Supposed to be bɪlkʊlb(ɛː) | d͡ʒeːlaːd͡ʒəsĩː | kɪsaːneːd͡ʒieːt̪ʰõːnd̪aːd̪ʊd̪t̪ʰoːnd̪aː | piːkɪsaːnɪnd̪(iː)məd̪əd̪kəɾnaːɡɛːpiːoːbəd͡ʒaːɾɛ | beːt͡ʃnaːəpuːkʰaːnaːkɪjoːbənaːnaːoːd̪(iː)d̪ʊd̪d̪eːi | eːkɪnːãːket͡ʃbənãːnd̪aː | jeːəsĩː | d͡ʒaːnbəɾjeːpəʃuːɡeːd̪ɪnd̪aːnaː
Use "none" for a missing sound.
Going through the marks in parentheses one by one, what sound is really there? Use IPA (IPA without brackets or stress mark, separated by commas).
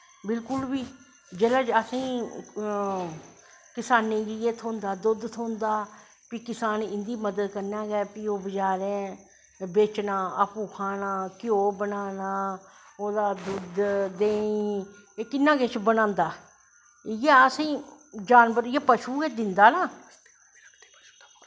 iː, iː, aː